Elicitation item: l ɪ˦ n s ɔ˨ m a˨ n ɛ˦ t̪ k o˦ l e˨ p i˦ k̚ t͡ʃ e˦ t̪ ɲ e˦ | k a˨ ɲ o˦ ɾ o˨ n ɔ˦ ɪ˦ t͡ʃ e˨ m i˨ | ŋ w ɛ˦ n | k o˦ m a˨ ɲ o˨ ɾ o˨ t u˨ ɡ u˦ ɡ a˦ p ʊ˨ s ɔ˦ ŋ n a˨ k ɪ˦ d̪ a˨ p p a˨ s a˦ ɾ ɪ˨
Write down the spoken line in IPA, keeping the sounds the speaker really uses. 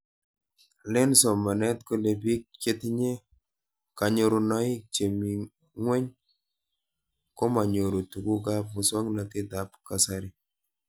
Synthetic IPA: l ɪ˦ n s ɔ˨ m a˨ n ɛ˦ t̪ k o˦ l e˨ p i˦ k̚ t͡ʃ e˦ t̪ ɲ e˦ | k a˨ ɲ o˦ ɾ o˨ n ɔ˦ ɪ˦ t͡ʃ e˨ m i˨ | ŋ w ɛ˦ ɲ | k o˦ m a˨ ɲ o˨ ɾ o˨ t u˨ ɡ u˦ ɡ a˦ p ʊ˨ s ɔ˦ ŋ n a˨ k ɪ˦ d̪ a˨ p k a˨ s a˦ ɾ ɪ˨